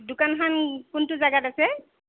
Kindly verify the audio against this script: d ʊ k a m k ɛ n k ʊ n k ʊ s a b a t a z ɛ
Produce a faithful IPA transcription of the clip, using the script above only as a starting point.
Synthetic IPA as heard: d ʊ k a n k a n k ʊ n t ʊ z a ɡ a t a s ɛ

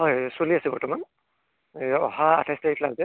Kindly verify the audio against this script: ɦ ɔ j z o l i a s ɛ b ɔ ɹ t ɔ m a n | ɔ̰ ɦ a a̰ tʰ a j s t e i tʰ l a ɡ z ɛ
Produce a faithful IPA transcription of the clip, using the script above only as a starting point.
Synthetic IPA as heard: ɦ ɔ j s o l i a s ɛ b ɔ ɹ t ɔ m a n | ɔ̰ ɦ a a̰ tʰ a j s t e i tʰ l a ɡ z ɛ

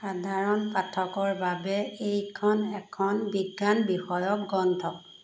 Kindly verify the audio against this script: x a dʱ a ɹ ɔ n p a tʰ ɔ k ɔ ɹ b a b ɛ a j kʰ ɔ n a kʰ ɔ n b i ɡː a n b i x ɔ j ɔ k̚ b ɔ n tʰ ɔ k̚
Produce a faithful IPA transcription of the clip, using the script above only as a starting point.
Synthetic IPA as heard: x a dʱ a ɹ ɔ n p a tʰ ɔ k ɔ ɹ b a b ɛ e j kʰ ɔ n ɛ kʰ ɔ n b i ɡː a n b i x ɔ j ɔ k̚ ɡ ɔ n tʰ ɔ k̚

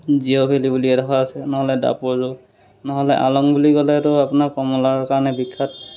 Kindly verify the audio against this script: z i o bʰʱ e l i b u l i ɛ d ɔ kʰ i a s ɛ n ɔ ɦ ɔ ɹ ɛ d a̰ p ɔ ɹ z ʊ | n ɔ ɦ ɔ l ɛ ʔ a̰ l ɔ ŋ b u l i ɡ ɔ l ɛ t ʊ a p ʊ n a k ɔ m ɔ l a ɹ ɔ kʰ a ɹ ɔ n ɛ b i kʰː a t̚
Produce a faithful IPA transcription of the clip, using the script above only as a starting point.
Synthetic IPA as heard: z i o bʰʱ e l i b u l i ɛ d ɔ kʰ a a s ɛ n ɔ ɦ ɔ l ɛ d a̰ p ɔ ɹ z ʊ | n ɔ ɦ ɔ l ɛ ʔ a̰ l ɔ ŋ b u l i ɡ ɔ l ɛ t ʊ a p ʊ n a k ɔ m ɔ l a ɹ ɔ k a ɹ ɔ n ɛ b i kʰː a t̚

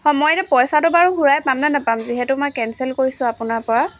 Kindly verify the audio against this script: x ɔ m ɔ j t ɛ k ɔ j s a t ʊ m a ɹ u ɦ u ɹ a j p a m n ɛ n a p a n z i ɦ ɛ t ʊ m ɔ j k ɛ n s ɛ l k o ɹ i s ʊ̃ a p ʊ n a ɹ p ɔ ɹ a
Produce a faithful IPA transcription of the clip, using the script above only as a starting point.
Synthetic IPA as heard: x ɔ m ɔ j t ɛ p ɔ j s a t ʊ b a ɹ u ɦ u ɹ a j p a m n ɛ n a p a m z i ɦ ɛ t ʊ m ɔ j k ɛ n s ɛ l k o ɹ i s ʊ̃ a p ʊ n a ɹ p ɔ ɹ a

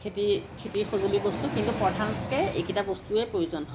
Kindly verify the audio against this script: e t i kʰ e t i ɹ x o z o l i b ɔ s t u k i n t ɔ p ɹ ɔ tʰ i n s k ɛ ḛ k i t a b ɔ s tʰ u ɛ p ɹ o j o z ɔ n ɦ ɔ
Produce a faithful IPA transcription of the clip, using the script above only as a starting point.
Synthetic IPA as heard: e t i kʰ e t i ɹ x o z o l i b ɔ s t u k i n t u p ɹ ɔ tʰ a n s k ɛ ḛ k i t a b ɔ s t u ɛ p ɹ o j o z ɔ n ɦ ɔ

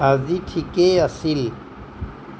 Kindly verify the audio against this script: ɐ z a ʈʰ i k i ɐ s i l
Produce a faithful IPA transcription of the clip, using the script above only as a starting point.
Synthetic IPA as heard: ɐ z i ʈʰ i k e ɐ s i l

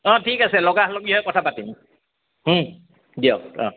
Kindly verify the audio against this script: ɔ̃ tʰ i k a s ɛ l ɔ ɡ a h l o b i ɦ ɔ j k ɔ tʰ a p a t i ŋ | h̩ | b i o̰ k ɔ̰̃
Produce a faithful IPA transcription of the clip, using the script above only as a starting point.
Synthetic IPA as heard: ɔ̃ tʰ i k a s ɛ l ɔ ɡ a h l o ɡ i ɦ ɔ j k ɔ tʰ a p a t i m | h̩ | d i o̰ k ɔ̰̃

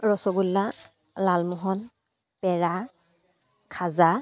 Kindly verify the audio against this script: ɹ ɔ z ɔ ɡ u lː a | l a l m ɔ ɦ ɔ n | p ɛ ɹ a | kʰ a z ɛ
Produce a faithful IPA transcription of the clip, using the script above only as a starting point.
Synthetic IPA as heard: ɹ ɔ s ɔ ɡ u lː a | l a l m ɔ ɦ ɔ n | p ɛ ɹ a | kʰ a z a

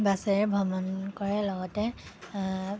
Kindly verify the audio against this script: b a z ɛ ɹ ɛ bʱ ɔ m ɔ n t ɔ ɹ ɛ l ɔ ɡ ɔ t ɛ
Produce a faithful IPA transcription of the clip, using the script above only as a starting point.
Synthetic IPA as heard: b a s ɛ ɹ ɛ bʱ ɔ m ɔ n k ɔ ɹ ɛ l ɔ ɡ ɔ t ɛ

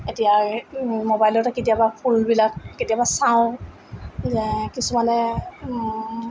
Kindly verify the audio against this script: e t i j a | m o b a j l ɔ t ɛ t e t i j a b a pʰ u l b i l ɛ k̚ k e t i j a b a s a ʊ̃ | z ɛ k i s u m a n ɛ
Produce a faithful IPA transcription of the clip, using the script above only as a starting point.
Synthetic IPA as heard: e t i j a | m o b a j l ɔ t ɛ k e t i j a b a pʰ u l b i l a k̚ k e t i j a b a s a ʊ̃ | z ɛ k i s u m a n ɛ

